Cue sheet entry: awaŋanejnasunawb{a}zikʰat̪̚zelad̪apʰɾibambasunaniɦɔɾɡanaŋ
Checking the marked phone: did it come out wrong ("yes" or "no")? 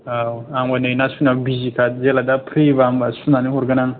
yes